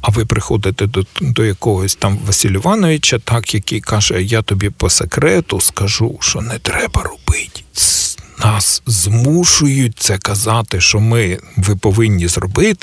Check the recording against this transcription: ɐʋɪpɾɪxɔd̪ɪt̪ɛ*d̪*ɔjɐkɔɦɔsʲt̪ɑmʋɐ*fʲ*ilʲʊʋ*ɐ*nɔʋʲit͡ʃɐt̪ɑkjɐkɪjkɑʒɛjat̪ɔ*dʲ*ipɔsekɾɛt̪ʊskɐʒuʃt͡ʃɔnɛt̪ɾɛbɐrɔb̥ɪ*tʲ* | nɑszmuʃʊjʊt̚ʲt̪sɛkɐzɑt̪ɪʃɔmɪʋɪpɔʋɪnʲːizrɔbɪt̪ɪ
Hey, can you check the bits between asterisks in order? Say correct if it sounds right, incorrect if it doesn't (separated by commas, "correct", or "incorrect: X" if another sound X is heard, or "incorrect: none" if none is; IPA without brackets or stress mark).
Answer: correct, incorrect: sʲ, incorrect: ɑ, incorrect: bʲ, correct